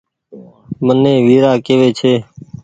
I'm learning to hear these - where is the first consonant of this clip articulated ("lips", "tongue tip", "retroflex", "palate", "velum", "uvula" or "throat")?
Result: lips